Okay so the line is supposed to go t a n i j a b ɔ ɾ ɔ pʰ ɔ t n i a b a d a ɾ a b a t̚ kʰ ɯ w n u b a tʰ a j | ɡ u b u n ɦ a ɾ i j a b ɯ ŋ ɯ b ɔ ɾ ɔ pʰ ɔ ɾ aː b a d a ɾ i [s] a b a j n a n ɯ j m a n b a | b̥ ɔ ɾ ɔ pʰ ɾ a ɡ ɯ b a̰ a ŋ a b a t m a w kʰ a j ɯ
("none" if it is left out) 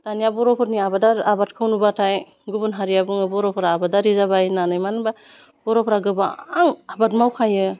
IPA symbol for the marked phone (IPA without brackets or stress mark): z